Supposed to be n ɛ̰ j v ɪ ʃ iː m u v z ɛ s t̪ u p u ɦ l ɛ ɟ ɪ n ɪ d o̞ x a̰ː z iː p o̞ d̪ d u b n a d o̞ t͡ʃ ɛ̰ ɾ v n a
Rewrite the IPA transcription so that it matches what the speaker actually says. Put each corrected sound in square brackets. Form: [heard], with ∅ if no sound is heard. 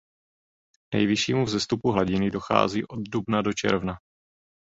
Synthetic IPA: n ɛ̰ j v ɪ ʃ iː m u v z ɛ s t̪ u p u ɦ l [a] ɟ ɪ n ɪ d o̞ x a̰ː z iː [ʔ] o̞ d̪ d u b n a d o̞ t͡ʃ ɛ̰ ɾ v n a